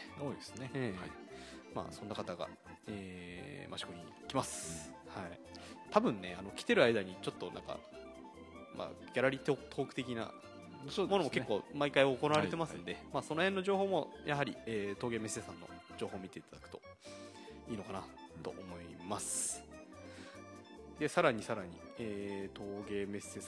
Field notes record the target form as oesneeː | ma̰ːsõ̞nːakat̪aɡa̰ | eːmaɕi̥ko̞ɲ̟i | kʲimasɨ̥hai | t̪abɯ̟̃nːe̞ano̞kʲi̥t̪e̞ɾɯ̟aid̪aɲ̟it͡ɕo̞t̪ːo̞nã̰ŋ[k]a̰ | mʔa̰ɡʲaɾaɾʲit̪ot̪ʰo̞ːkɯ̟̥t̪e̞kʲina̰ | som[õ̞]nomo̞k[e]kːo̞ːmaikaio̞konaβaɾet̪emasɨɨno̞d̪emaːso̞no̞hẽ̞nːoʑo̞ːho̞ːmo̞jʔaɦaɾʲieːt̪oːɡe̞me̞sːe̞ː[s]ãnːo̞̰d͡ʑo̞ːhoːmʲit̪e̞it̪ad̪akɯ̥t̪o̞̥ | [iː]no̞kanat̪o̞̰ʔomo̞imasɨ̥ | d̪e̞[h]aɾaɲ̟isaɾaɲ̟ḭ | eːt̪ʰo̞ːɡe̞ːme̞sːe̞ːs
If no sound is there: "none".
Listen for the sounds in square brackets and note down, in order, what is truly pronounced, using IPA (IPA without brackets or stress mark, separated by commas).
k, o̞, e, s, iː, s